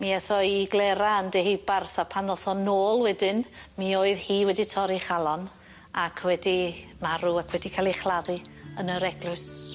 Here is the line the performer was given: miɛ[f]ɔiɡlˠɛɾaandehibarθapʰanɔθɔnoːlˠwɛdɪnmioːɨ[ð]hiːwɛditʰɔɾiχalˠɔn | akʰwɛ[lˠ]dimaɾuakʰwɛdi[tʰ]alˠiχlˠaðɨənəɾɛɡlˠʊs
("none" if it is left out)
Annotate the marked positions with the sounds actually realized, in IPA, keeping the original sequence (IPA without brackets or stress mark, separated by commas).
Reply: θ, ð, none, kʰ